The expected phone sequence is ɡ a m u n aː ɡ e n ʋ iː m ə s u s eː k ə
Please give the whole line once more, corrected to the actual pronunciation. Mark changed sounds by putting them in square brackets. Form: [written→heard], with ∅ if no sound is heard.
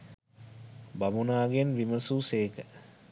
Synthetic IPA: [ɡ→b] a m u n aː ɡ e n ʋ [iː→i] m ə s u s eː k ə